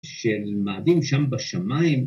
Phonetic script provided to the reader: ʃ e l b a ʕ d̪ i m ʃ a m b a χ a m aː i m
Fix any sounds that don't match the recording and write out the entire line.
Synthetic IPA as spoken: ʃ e l m a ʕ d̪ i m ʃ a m b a ʃ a m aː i m